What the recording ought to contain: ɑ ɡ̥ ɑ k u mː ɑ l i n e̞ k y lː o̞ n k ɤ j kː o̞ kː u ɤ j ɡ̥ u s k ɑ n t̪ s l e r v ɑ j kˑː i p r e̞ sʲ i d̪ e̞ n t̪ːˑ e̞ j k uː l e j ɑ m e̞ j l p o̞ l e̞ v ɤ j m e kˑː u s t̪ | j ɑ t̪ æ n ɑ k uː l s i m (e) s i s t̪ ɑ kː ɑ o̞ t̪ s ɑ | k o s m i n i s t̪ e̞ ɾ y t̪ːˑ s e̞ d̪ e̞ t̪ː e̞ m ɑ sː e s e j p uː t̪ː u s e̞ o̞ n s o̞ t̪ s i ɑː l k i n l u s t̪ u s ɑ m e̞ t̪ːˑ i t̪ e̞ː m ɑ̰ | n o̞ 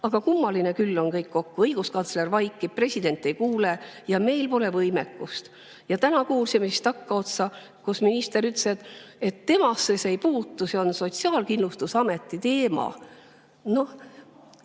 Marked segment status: correct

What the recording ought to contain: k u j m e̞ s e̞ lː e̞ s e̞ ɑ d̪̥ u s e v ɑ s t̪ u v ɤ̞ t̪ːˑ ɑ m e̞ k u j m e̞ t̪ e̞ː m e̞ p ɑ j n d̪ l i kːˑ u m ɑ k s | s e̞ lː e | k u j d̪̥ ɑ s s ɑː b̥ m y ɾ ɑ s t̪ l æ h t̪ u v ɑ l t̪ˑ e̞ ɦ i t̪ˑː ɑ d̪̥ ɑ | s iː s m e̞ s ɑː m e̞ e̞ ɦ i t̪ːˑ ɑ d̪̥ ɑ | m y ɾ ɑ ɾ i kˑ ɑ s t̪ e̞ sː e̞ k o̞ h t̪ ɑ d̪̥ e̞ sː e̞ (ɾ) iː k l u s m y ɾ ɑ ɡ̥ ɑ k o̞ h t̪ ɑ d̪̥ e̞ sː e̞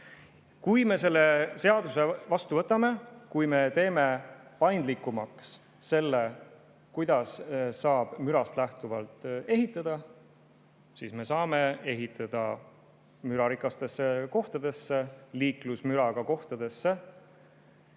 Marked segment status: incorrect: l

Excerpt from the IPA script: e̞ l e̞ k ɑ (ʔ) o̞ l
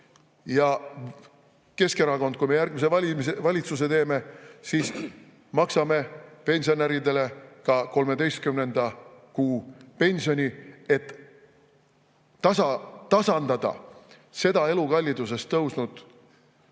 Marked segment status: incorrect: k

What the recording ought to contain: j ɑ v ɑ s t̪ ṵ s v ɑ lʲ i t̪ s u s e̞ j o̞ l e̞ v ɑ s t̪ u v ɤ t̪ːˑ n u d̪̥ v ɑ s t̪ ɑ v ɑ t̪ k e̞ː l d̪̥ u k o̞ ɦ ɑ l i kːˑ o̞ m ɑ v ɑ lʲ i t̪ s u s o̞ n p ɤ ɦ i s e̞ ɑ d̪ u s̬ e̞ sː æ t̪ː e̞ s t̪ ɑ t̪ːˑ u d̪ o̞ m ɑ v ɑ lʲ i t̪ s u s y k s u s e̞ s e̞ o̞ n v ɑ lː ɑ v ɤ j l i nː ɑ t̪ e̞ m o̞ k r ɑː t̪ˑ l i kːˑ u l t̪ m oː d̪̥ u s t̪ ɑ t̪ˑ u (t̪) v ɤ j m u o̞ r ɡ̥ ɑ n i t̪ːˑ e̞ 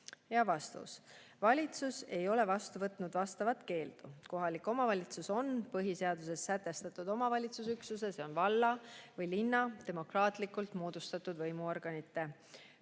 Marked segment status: incorrect: d̪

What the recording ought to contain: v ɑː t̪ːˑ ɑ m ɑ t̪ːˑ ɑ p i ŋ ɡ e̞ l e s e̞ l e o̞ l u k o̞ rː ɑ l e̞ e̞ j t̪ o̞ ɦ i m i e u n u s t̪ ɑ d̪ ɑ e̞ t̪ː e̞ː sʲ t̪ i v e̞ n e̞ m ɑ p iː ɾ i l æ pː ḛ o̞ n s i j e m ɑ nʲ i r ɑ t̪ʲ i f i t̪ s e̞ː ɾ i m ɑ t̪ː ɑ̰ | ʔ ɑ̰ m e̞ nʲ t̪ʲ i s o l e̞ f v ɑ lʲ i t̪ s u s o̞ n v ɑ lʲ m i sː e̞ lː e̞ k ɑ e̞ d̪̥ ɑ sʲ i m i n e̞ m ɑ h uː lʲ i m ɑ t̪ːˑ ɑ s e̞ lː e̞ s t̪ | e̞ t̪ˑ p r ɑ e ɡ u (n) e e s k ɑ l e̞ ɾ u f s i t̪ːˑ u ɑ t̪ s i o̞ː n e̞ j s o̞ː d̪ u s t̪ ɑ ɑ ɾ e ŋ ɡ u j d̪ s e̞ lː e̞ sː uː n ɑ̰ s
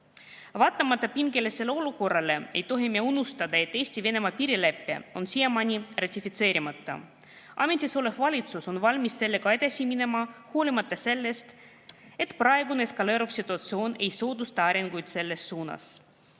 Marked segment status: correct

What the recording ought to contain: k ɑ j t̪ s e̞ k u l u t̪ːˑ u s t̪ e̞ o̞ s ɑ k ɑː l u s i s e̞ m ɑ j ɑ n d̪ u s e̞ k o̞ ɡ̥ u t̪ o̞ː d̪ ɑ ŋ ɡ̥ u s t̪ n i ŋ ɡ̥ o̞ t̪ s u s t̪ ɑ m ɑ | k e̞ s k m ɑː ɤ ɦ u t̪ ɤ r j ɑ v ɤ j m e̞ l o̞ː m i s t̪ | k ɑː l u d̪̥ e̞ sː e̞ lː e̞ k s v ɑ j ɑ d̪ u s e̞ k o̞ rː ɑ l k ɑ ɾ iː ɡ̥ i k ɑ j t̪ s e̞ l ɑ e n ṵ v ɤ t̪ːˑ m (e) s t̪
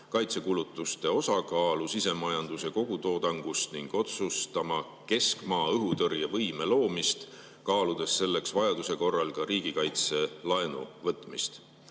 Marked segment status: incorrect: i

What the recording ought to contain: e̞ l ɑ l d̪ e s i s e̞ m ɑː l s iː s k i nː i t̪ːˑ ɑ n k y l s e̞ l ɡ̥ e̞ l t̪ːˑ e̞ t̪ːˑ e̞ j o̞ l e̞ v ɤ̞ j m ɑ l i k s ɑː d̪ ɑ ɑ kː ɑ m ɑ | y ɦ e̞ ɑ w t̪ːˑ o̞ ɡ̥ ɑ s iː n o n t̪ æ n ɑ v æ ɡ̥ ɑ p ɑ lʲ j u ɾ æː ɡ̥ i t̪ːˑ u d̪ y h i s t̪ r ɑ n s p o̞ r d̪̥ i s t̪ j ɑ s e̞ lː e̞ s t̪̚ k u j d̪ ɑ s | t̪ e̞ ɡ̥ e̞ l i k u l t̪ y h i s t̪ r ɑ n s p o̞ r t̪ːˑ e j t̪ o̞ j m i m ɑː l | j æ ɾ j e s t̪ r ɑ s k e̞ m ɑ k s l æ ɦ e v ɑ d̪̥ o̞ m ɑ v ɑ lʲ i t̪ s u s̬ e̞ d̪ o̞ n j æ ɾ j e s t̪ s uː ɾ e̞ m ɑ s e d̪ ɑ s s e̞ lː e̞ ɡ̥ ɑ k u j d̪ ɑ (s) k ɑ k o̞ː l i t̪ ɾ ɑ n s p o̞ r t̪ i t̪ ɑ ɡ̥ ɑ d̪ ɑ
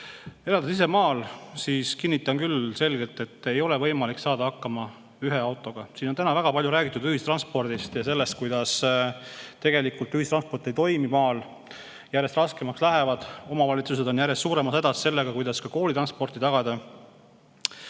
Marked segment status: correct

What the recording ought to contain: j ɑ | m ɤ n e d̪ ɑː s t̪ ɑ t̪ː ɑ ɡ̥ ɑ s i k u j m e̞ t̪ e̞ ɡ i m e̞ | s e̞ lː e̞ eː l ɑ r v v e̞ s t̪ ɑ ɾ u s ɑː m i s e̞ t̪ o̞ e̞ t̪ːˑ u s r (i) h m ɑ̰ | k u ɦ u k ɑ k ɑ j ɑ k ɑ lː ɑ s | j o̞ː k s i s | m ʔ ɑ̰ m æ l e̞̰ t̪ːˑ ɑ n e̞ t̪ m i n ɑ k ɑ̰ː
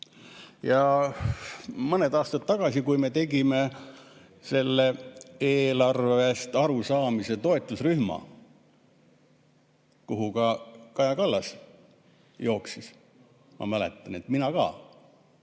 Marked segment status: incorrect: y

